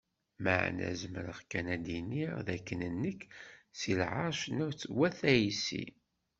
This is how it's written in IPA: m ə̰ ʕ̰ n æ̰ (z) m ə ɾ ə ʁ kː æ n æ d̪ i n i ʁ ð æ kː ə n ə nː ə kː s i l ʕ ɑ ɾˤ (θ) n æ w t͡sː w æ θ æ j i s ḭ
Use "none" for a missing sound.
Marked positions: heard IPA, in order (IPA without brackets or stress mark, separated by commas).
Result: z, ʃ